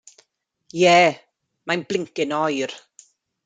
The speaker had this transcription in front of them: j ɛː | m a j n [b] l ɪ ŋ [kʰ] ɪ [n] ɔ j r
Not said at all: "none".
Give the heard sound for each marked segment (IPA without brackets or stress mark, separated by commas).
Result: b, k, n